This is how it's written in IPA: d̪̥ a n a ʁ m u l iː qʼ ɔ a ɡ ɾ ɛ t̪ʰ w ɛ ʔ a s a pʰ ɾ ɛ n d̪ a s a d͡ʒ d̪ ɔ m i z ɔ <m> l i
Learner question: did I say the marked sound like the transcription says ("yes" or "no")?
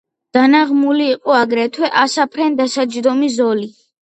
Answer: no